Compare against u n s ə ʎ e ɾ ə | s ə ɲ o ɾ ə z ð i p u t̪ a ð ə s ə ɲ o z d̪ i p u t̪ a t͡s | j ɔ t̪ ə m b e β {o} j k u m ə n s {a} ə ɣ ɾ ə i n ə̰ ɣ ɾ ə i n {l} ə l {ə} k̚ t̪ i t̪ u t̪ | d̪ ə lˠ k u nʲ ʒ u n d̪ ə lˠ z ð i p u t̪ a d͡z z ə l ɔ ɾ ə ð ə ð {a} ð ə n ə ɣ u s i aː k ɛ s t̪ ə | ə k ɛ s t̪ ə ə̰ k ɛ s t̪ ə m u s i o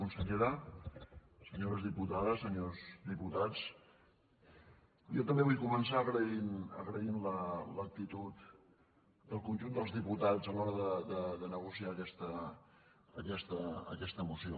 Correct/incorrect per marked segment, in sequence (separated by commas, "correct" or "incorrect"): incorrect, correct, correct, correct, incorrect